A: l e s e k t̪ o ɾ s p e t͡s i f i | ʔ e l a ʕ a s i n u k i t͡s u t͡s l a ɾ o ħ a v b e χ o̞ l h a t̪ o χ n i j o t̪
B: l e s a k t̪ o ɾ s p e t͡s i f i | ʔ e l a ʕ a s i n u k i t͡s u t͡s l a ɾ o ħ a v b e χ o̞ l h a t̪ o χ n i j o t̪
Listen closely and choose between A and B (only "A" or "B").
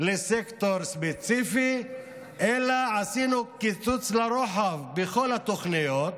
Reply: A